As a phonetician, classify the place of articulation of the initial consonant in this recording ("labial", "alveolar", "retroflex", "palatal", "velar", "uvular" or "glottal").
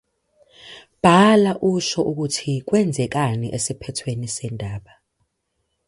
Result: labial